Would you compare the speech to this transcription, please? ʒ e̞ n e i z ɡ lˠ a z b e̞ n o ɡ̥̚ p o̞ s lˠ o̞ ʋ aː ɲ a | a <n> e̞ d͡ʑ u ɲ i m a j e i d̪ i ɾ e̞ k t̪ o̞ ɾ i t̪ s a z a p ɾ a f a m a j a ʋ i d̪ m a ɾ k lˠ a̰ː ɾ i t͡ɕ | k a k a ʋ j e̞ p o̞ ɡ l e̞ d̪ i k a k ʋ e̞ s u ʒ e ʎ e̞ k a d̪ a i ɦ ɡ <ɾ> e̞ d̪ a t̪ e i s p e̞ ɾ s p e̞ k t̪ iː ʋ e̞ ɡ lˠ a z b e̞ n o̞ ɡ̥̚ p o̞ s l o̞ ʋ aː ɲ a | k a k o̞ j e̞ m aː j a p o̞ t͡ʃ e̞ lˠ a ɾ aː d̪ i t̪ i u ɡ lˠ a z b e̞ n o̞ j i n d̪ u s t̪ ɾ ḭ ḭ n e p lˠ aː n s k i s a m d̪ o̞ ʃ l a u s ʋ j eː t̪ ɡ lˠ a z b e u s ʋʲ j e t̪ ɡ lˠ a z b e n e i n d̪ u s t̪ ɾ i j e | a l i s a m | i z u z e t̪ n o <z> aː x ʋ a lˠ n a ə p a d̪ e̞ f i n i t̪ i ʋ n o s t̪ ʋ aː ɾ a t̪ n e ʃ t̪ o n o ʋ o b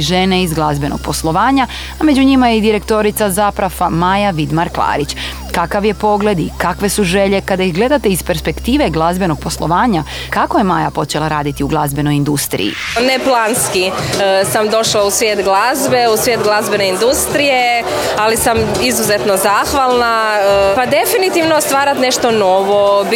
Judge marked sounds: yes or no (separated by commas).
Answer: no, no, yes